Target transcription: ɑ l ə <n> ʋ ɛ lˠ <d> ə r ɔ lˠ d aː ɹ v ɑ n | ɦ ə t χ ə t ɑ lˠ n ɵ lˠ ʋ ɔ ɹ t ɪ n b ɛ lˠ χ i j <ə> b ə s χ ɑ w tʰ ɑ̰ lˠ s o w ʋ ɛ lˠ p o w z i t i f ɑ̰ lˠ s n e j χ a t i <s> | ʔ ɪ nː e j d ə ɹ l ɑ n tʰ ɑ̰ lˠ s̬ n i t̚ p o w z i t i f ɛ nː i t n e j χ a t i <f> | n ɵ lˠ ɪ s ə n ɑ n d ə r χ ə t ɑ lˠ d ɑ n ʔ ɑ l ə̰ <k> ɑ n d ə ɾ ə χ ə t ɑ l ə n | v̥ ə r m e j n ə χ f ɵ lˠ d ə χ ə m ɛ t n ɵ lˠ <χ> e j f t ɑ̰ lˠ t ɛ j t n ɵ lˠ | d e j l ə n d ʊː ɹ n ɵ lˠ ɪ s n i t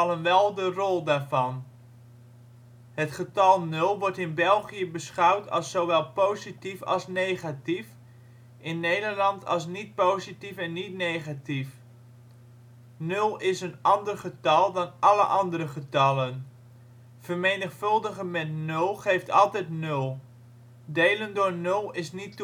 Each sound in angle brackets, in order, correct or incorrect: correct, correct, correct, incorrect: f, correct, incorrect: ʔ, correct

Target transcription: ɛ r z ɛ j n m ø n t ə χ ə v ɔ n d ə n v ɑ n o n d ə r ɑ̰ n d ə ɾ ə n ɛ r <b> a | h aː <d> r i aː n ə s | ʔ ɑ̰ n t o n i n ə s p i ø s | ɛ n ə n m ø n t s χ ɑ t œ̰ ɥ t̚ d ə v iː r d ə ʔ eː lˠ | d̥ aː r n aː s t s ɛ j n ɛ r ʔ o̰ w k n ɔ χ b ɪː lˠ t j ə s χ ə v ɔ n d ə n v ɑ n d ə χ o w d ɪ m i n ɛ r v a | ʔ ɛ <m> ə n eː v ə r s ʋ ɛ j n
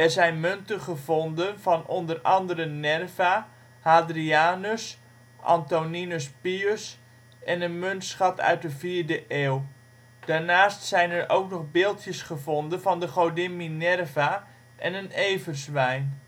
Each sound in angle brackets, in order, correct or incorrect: incorrect: v, correct, incorrect: n

